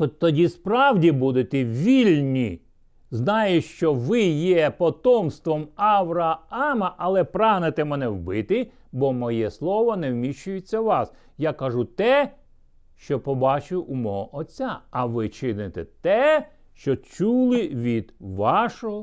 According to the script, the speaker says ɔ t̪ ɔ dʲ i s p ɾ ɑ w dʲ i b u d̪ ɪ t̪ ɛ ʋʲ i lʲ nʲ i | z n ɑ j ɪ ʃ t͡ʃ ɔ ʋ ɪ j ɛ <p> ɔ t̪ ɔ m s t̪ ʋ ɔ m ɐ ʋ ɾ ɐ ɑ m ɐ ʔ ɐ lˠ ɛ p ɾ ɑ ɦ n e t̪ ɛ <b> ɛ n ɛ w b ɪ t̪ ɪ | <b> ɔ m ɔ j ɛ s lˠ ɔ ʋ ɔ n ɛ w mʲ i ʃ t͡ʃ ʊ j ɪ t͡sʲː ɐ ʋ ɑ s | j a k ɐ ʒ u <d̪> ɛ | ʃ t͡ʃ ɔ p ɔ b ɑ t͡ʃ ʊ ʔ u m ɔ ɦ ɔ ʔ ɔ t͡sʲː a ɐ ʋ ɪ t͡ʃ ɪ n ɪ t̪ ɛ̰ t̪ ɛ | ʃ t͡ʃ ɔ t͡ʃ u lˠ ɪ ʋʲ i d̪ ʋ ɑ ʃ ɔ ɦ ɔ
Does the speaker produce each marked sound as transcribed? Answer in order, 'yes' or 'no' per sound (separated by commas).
yes, no, yes, no